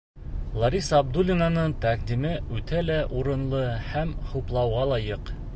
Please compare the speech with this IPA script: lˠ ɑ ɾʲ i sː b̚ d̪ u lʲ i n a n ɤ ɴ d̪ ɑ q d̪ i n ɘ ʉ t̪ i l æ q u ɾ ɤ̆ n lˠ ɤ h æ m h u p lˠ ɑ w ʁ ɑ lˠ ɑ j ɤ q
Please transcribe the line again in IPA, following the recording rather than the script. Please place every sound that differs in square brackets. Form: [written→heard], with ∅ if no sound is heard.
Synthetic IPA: lˠ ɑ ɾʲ i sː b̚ d̪ u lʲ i n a n ɤ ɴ [d̪→t̪] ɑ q d̪ i [n→m] ɘ ʉ t̪ [i→æ] l æ [q→ʔ] u ɾ ɤ̆ n lˠ ɤ h æ m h u p lˠ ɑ w ʁ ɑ lˠ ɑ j ɤ q